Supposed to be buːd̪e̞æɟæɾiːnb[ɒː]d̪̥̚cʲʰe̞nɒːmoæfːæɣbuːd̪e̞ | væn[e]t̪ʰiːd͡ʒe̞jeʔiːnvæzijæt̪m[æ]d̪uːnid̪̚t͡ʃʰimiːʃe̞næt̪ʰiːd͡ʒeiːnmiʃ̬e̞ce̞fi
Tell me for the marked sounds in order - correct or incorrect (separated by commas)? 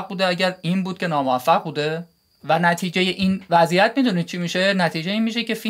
incorrect, incorrect, incorrect